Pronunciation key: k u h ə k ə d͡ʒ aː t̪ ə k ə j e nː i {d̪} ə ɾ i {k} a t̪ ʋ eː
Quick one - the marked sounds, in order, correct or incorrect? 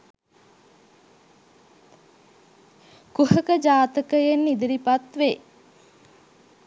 correct, incorrect

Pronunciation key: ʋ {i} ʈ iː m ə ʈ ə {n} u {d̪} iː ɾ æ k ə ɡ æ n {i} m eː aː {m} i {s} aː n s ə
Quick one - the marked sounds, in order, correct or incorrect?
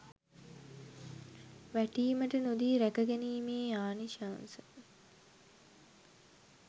incorrect, correct, correct, incorrect, incorrect, incorrect

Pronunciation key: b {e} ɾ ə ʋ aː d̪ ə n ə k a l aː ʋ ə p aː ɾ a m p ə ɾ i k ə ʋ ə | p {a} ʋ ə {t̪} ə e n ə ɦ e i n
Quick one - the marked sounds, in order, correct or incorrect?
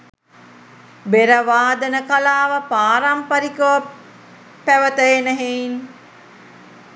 correct, incorrect, correct

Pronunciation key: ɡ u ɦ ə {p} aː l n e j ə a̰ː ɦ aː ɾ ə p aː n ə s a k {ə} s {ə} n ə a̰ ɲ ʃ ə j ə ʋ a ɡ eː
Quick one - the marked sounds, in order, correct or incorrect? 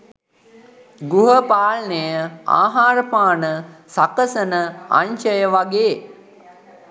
correct, correct, correct

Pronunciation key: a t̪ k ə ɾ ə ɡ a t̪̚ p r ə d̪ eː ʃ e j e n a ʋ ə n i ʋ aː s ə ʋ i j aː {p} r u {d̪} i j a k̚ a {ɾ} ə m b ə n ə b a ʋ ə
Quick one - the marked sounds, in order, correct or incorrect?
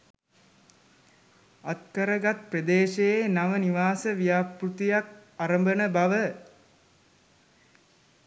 correct, incorrect, correct

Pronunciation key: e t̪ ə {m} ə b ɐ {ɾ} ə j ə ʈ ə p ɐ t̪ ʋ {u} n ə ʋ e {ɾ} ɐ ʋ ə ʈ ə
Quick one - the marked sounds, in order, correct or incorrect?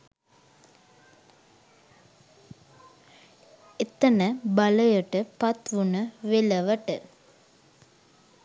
incorrect, incorrect, correct, incorrect

